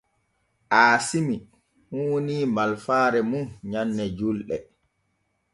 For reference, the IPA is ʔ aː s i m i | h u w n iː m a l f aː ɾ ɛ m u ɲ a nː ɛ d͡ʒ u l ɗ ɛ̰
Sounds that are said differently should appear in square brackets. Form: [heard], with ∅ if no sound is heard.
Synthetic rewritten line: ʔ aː s i m i | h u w n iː m a l f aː ɾ ɛ m u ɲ a nː ɛ d͡ʒ u l ɗ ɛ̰